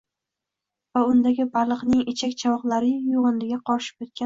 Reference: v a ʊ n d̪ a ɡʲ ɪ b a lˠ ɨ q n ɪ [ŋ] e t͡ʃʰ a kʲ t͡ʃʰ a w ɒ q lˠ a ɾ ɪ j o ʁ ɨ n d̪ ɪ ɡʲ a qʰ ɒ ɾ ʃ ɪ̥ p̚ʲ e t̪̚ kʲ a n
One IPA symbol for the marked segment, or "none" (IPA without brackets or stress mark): ŋ